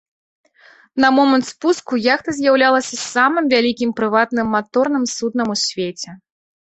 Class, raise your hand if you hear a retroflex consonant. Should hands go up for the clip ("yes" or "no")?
no